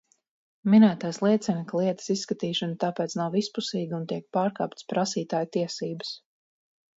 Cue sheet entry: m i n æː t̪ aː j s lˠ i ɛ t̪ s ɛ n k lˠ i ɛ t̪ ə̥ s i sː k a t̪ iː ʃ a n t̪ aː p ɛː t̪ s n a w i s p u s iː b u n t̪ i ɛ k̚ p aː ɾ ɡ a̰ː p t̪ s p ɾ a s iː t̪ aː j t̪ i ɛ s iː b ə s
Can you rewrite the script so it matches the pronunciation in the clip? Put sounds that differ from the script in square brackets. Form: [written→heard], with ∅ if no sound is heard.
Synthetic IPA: m i n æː t̪ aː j s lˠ i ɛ t̪ s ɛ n k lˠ i ɛ t̪ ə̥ s i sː k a t̪ iː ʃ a n t̪ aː p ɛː t̪ s n a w i s p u s iː [b→ɡ] u n t̪ i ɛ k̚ p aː ɾ [ɡ→k] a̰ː p t̪ s p ɾ a s iː t̪ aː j t̪ i ɛ s iː b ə s